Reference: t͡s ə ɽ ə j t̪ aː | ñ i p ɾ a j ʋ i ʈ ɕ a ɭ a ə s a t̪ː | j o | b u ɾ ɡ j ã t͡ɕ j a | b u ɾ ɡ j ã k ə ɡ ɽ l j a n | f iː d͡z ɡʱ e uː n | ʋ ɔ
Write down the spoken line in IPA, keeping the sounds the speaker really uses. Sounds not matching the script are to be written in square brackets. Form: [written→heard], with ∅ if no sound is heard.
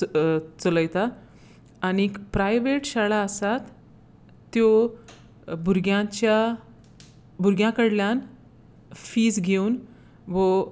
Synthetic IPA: t͡s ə [ɽ→l] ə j t̪ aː | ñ i p ɾ a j ʋ [i→e] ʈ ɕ a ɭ a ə s a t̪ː | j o | b u ɾ ɡ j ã t͡ɕ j a | b u ɾ ɡ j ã k ə [ɡ→∅] ɽ l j a n | f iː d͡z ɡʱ e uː n | ʋ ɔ